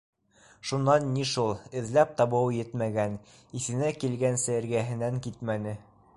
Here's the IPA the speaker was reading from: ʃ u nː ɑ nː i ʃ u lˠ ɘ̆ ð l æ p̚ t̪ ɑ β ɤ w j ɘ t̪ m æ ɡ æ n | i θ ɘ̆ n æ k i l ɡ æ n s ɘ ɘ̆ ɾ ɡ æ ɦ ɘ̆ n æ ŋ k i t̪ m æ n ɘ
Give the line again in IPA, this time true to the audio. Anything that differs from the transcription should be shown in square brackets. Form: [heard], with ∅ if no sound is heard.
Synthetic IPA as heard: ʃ u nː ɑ nː i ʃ u lˠ ɘ̆ ð l æ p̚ t̪ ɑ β ɤ w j ɘ t̪ m æ ɡ æ n | i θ ɘ̆ n æ k i l ɡ æ n s ɘ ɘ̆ ɾ ɡ æ ɦ ɘ̆ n æ ŋ k i t̪ m æ n ɘ